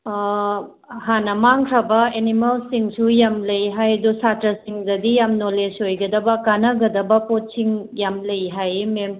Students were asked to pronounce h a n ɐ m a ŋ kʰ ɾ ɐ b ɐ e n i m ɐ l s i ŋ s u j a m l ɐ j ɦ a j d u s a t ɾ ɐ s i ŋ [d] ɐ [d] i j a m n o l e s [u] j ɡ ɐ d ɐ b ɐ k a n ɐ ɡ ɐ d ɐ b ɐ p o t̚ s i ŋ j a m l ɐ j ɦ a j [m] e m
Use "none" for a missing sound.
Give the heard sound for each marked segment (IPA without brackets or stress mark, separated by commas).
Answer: d, d, o, m